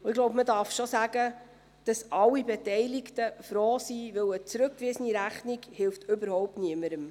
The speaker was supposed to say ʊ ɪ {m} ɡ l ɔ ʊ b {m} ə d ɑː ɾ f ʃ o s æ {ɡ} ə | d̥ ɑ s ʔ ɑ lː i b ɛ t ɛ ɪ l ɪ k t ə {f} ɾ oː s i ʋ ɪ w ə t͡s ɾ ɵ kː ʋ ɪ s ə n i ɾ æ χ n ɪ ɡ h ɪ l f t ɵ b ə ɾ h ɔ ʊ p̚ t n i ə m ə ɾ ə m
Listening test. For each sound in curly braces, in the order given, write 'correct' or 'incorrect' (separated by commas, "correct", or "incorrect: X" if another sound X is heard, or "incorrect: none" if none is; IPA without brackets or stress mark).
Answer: incorrect: none, correct, correct, correct